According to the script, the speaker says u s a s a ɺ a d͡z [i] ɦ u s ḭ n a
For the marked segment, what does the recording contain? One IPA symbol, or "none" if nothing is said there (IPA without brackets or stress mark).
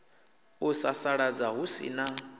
a